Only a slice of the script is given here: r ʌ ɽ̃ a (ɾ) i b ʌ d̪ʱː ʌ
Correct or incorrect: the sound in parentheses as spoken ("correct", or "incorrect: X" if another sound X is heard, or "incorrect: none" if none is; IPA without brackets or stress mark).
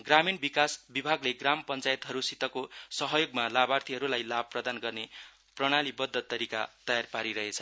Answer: incorrect: l